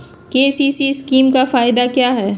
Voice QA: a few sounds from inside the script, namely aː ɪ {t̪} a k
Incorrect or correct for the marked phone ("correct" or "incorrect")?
incorrect